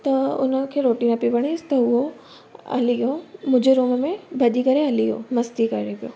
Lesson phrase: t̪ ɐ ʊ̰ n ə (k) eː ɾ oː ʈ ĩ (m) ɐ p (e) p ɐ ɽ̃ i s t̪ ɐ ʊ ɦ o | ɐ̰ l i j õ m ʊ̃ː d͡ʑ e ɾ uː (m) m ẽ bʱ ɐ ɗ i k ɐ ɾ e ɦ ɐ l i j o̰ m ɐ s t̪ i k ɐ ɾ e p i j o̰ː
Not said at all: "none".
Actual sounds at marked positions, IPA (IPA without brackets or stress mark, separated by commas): kʰ, n, i, m